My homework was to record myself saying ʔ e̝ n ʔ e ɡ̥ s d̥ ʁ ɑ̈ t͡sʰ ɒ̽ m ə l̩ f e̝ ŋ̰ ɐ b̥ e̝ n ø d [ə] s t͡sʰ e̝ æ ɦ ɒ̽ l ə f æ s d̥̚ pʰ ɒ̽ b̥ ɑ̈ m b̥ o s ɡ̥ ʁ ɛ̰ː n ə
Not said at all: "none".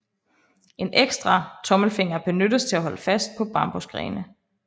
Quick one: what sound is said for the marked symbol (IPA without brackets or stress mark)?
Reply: ə